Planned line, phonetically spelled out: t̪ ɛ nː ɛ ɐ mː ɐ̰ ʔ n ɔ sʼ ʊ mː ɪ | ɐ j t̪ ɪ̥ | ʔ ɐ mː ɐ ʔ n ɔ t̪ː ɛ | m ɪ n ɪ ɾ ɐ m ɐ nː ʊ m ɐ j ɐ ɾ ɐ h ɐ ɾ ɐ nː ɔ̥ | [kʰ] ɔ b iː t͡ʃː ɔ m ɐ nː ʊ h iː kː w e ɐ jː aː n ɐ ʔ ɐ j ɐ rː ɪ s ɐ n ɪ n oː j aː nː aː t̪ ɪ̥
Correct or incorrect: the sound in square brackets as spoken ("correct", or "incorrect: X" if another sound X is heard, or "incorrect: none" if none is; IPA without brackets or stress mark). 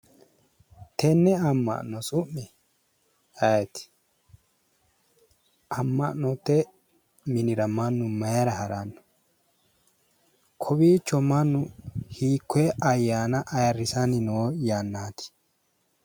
correct